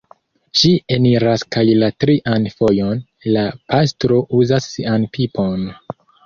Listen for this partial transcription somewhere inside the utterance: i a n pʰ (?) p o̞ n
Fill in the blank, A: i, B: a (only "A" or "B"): A